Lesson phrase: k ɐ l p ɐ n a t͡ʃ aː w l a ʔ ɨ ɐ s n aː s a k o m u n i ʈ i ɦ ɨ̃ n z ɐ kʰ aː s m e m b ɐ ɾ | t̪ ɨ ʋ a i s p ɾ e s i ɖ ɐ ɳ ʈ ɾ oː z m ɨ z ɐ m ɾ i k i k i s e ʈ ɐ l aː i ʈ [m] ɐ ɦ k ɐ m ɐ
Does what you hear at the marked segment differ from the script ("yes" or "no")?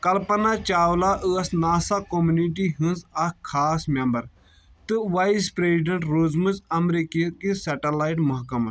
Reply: no